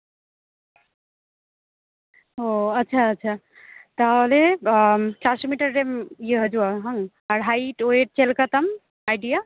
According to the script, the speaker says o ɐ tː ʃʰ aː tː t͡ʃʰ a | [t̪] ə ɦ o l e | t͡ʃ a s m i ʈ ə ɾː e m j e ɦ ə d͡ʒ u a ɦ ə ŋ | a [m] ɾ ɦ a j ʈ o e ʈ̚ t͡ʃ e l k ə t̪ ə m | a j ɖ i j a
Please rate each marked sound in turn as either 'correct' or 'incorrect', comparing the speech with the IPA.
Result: correct, incorrect: none

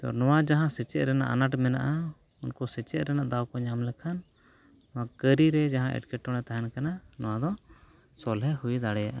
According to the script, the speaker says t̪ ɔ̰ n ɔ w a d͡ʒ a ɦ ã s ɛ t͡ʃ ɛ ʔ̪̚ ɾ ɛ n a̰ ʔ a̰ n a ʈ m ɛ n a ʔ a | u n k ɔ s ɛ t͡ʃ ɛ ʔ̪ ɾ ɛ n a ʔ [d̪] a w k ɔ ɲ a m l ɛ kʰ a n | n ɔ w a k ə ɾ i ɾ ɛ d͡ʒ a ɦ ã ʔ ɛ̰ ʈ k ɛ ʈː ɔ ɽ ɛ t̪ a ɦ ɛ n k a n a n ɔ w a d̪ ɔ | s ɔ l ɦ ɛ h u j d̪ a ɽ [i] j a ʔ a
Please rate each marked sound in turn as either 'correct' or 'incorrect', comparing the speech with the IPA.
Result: correct, incorrect: ɛ

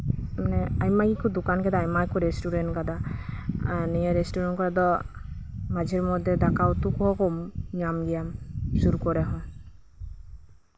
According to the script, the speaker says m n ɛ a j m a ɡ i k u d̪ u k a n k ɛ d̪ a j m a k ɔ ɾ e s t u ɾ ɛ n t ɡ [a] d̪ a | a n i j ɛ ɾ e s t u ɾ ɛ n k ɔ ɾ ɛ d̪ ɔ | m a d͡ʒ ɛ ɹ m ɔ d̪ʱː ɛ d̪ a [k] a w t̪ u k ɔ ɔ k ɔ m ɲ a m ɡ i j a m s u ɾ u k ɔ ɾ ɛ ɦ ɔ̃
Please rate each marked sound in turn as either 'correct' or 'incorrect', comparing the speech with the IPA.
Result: correct, correct

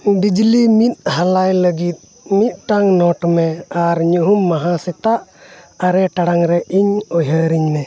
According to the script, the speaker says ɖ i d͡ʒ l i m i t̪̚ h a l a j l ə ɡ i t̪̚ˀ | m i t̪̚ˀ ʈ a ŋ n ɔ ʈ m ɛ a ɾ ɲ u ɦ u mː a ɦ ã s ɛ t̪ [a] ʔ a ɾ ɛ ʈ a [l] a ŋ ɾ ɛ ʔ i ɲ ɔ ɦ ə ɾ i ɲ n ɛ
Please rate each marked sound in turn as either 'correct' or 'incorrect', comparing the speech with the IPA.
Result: correct, incorrect: ɽ

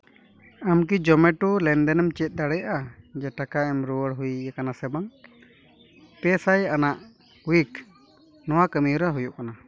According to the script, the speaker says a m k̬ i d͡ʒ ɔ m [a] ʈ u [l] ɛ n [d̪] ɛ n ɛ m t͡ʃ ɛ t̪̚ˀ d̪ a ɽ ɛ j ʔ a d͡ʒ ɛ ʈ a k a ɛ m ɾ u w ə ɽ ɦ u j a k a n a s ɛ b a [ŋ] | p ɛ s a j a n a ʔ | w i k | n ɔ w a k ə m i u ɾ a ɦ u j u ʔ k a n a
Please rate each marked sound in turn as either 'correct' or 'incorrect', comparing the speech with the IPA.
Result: incorrect: ɛ, correct, correct, correct

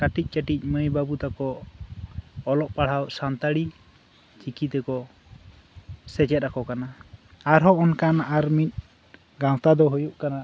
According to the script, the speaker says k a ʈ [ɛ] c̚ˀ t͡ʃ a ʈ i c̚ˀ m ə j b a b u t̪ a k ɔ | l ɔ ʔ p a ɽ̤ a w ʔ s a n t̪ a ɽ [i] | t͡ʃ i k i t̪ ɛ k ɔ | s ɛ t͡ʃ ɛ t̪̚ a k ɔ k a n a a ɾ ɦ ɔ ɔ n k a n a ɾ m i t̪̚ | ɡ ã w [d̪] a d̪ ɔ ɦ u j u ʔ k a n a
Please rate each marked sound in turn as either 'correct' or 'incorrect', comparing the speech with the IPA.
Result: incorrect: i, correct, incorrect: t̪

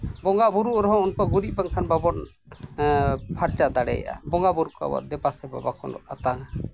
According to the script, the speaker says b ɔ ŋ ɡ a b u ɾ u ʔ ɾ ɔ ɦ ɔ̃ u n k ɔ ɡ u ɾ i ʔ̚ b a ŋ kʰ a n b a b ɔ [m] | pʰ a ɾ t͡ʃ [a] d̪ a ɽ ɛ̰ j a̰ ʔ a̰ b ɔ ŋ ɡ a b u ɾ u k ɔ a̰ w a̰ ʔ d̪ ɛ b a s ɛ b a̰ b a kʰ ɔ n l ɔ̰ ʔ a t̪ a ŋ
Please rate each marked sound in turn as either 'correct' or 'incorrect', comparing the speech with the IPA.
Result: incorrect: n, correct

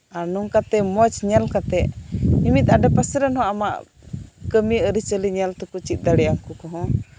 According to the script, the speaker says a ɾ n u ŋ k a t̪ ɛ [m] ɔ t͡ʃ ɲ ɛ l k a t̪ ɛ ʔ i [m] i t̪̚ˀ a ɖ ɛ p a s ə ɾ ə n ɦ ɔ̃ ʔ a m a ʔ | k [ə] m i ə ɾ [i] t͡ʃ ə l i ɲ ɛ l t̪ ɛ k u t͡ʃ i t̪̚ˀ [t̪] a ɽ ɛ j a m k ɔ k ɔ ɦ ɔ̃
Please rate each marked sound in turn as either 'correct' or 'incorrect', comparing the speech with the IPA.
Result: correct, correct, correct, correct, incorrect: d̪

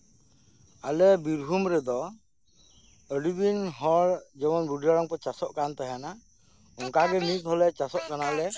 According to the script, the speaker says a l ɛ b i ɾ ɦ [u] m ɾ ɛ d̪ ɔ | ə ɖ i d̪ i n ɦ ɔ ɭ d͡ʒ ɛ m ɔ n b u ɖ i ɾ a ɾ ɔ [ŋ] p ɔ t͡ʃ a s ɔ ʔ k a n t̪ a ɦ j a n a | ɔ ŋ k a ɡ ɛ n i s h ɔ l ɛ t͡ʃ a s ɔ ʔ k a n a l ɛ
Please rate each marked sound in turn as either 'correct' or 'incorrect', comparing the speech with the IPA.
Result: correct, correct

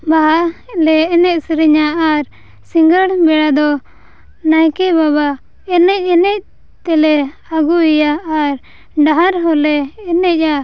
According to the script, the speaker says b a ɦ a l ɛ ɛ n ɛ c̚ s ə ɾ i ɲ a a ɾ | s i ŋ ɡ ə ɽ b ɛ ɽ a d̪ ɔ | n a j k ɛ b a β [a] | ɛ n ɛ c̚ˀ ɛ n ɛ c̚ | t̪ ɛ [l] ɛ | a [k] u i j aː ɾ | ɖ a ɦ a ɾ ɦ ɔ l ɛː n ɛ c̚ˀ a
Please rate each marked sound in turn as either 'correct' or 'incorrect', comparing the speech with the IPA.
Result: correct, correct, incorrect: ɡ

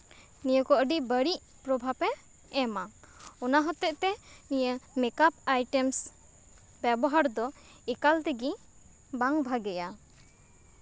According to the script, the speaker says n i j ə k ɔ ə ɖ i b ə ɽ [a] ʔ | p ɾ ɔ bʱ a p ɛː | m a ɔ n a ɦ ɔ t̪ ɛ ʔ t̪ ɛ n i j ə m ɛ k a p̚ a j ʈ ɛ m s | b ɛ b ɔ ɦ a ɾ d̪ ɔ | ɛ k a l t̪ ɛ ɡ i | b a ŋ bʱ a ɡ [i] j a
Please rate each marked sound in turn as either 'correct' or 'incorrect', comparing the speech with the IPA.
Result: incorrect: i, incorrect: ɛ

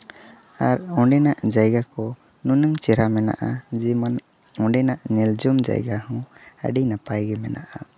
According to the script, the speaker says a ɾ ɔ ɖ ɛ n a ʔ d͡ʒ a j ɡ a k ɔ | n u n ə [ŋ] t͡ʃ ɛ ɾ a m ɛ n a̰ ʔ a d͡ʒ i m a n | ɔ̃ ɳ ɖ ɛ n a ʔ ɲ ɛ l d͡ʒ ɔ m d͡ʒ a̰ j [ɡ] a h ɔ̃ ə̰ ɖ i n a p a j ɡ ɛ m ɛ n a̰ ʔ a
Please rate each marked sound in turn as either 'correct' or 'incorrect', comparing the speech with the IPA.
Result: correct, correct

